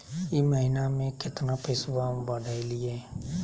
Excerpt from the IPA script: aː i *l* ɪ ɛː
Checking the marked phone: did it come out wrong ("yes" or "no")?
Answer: no